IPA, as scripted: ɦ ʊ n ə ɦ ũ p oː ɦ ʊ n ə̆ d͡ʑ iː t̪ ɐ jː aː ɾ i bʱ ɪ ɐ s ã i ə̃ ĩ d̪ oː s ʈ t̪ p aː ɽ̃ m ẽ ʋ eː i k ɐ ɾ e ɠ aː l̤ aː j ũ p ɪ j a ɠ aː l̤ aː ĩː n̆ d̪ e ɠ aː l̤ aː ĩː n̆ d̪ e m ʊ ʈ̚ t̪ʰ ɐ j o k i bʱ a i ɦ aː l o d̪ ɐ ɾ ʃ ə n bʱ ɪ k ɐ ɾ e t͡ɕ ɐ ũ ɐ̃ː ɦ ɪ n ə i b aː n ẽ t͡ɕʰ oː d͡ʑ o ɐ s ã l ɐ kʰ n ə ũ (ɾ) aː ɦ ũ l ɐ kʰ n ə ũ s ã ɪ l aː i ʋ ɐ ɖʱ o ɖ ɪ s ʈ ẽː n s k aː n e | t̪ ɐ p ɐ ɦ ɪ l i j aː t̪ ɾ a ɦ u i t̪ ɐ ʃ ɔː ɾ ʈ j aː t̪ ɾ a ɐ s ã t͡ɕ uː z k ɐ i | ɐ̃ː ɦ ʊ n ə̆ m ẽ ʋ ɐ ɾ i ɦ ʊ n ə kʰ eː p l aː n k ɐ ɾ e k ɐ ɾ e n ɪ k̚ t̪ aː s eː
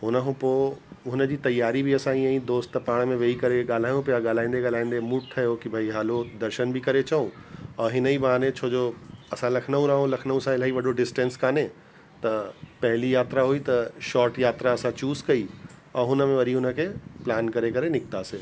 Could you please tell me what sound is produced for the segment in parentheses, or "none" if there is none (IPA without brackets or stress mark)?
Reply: ɾ